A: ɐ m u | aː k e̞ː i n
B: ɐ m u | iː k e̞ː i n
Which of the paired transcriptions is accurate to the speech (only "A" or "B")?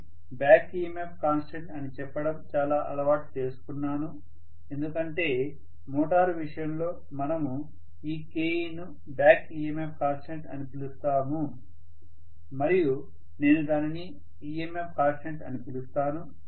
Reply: B